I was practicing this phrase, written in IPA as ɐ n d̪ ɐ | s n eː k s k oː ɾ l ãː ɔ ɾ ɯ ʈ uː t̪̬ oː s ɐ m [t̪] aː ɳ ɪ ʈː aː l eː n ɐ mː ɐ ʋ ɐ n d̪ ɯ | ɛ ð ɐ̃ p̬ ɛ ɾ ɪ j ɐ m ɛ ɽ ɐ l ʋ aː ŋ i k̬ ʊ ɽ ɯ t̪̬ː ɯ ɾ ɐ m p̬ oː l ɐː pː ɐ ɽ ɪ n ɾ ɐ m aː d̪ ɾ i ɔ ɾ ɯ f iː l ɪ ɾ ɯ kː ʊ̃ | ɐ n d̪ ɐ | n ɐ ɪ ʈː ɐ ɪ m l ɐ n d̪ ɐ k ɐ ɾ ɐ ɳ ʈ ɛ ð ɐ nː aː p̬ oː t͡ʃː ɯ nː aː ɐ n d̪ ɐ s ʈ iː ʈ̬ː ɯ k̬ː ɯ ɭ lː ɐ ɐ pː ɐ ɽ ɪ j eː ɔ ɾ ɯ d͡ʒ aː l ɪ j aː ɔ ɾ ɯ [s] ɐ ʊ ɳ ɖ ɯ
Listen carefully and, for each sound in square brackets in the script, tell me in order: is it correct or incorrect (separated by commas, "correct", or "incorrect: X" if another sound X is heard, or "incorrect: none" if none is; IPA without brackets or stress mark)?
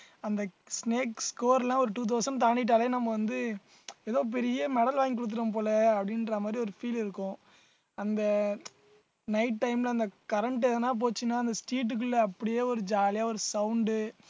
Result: correct, correct